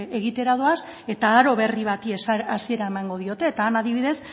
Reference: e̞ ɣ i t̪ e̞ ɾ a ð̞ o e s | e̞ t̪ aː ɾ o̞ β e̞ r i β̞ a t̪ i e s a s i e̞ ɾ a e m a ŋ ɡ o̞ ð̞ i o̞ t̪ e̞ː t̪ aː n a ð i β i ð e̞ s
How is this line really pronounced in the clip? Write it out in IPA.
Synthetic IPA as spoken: e̞ ɣ i t̪ e̞ ɾ a ð̞ o a s | e̞ t̪ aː ɾ o̞ β e̞ r i β̞ a t̪ i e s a s i e̞ ɾ a e m a ŋ ɡ o̞ ð̞ i o̞ t̪ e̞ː t̪ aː n a ð i β i ð e̞ s